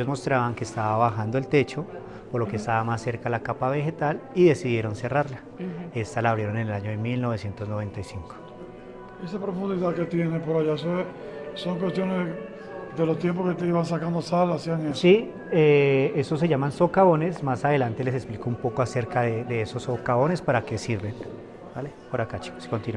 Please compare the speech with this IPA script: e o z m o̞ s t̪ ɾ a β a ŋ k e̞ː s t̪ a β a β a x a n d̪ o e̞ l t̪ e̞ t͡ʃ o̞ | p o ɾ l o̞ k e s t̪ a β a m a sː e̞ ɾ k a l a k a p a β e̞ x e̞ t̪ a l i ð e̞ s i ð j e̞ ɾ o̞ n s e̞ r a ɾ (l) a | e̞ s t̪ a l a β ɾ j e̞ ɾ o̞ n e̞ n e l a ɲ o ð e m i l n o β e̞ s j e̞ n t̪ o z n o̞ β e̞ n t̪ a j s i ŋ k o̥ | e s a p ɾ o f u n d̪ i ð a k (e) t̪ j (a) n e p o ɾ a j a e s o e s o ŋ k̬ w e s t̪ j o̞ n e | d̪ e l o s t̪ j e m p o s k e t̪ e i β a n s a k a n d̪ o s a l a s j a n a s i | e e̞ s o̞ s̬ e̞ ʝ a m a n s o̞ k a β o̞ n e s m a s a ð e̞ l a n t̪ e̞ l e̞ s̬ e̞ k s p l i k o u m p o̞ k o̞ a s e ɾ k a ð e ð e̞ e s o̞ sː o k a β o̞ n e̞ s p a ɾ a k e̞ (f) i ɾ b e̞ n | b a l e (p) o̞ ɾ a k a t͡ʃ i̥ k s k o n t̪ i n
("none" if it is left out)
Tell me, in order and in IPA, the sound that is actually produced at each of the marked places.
l, e, e, s, p

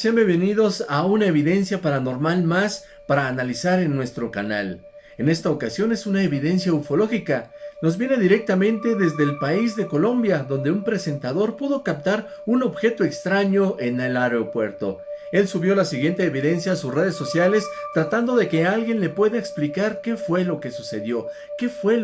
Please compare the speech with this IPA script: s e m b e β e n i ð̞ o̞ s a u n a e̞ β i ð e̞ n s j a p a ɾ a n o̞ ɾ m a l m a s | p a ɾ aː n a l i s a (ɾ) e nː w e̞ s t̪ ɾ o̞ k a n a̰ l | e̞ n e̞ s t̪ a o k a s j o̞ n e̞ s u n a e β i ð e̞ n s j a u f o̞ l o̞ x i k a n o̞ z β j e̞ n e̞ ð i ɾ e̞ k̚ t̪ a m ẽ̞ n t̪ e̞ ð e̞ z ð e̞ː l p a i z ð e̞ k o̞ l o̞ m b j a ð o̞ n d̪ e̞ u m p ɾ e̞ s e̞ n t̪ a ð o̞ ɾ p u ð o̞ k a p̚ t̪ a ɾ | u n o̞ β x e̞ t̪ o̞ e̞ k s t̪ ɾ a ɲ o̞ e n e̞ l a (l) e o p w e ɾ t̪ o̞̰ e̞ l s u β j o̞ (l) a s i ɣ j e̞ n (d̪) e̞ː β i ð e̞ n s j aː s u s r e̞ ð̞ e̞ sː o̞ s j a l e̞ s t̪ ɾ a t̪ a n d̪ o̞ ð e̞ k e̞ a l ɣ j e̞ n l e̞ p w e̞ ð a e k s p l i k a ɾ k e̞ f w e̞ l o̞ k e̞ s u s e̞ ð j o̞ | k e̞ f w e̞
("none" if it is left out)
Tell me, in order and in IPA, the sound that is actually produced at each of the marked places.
ɾ, ɾ, l, t̪

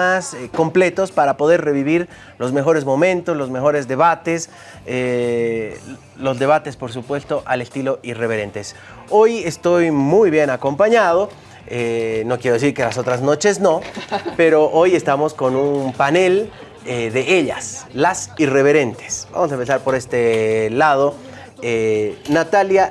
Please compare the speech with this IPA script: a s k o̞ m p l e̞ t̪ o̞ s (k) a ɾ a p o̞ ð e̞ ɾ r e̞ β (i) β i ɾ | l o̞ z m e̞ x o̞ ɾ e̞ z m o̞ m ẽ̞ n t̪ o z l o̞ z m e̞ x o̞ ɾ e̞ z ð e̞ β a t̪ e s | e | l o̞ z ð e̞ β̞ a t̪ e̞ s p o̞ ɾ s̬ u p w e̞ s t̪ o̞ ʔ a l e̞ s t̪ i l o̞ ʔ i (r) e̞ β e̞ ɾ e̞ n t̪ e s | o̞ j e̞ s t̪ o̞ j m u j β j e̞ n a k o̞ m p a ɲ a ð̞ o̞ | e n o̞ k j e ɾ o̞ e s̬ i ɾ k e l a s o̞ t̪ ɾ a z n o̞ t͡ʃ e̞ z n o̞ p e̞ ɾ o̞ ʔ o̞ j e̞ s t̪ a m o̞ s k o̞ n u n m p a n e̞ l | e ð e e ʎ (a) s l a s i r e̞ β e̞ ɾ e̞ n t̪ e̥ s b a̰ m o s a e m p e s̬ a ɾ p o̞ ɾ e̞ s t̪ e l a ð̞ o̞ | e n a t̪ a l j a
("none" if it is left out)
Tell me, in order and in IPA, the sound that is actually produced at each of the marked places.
p, i, r, a

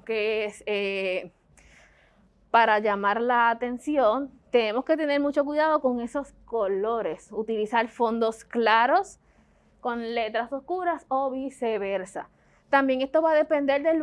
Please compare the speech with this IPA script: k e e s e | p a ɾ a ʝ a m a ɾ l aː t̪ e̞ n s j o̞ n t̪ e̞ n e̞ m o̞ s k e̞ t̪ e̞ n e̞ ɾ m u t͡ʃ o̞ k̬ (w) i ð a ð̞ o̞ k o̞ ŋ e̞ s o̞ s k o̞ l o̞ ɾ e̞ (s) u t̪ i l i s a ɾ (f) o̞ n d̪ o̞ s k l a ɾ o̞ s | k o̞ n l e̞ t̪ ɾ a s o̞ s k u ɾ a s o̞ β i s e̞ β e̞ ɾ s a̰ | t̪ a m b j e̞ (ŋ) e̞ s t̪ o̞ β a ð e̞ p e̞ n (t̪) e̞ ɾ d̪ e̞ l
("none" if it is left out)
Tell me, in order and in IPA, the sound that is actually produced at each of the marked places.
w, s, f, ŋ, d̪

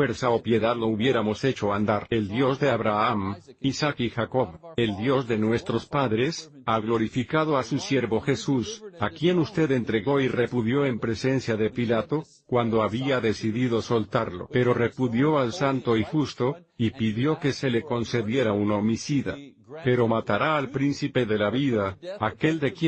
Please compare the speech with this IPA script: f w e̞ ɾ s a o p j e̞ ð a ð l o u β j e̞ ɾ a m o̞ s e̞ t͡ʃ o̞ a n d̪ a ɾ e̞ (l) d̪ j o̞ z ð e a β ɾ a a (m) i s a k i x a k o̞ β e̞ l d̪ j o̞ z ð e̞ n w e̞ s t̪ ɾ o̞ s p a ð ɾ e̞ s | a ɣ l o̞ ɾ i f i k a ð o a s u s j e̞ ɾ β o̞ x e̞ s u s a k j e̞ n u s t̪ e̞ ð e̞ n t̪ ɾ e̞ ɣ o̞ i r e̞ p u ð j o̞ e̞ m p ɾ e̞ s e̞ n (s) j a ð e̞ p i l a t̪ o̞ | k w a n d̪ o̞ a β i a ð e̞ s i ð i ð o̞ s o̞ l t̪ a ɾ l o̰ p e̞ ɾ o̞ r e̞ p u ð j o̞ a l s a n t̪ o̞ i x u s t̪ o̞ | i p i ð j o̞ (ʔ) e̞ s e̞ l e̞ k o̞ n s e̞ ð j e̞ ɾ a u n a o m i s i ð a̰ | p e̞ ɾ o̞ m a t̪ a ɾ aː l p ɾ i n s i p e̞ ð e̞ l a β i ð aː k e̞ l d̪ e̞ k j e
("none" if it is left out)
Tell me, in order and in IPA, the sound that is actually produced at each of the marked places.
l, m, s, k

